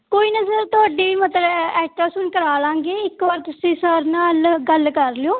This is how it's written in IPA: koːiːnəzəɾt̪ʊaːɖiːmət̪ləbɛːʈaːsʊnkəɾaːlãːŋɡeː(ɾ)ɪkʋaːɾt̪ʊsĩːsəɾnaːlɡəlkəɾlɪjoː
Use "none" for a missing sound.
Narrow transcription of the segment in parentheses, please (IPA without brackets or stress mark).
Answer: none